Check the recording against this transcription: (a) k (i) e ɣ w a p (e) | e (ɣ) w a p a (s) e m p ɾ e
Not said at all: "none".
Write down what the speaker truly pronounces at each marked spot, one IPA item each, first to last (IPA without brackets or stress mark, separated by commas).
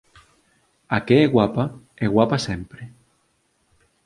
a, e, a, ɣ, s